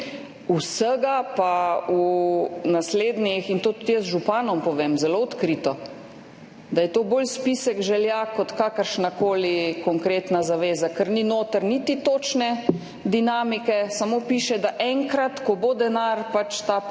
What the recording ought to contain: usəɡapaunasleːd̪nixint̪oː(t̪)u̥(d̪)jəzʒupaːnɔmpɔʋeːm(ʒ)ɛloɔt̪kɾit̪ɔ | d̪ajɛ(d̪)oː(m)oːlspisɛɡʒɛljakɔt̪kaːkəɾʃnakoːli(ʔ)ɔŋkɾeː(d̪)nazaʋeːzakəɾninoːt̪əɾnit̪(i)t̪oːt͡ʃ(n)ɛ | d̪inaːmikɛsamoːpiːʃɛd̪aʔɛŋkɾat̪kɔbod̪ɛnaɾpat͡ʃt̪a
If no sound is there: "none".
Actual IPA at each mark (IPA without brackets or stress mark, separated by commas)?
t̪, t̪, z, t̪, b, k, t̪, i, n